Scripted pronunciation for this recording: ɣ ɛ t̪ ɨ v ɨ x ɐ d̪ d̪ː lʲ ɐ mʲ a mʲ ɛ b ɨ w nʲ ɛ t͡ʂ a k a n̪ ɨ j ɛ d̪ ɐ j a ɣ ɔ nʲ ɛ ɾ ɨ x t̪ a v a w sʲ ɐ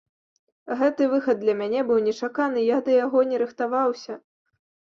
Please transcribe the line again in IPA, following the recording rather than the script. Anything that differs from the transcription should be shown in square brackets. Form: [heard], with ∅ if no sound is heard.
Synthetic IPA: ɣ ɛ t̪ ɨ v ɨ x ɐ d̪ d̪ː lʲ ɐ mʲ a [nʲ] ɛ b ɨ w nʲ ɛ t͡ʂ a k a n̪ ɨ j [a] d̪ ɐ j a ɣ ɔ nʲ ɛ ɾ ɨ x t̪ a v a w sʲ ɐ